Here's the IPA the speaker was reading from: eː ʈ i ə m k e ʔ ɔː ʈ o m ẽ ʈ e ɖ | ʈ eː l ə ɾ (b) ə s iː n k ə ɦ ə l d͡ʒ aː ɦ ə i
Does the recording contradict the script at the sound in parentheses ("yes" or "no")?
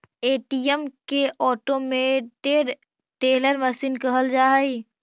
yes